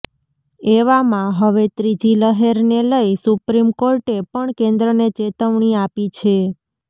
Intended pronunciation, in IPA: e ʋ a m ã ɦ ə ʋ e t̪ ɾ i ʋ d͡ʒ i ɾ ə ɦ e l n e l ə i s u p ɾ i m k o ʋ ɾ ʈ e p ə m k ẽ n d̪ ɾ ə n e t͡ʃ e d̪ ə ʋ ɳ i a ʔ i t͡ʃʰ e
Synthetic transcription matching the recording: e ʋ a m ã ɦ ə ʋ e t̪ ɾ i d͡ʒ i l ə ɦ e ɾ n e l ə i s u p ɾ i m k o ɾ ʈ e p ə ɳ k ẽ n d̪ ɾ ə n e t͡ʃ e t̪ ə ʋ ɳ i a p i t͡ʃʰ e